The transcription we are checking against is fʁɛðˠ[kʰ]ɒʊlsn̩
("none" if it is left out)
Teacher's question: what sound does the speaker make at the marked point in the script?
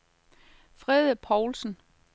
pʰ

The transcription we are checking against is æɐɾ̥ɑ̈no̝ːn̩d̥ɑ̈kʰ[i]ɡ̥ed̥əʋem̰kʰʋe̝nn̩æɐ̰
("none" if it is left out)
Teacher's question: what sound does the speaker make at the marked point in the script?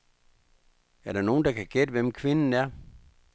æ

